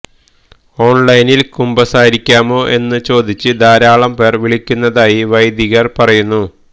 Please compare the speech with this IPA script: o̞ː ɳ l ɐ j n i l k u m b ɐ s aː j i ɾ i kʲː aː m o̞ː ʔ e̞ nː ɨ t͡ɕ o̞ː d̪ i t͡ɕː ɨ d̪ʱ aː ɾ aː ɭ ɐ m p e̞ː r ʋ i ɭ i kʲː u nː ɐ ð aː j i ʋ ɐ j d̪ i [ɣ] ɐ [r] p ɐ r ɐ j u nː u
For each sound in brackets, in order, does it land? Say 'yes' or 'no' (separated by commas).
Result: yes, yes